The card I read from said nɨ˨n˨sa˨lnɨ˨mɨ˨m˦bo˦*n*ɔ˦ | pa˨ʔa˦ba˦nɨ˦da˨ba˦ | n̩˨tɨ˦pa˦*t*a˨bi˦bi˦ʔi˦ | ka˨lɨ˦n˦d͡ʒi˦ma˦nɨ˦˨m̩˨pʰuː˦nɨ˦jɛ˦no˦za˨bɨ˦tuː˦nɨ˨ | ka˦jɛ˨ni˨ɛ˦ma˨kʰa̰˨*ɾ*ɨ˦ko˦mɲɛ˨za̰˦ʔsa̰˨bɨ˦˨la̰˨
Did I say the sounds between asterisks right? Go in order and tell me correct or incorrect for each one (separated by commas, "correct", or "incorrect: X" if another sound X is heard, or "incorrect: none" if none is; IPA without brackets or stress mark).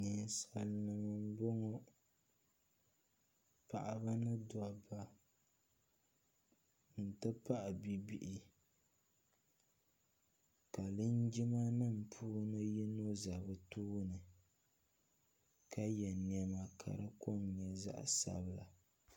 incorrect: ŋ, incorrect: ʔ, correct